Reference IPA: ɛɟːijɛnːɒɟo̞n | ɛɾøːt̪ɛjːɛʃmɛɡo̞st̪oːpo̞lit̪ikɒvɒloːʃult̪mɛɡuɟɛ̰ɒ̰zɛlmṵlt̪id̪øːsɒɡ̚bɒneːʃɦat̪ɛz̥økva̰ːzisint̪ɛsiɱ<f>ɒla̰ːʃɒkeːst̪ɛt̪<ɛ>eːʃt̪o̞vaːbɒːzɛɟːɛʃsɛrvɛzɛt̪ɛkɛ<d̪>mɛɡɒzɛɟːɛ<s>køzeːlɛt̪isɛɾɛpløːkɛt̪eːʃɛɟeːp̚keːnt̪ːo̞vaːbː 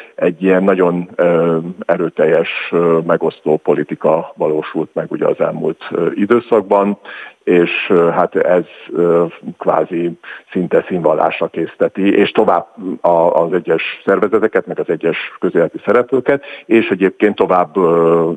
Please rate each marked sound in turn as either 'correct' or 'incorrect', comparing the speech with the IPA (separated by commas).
incorrect, incorrect, incorrect, incorrect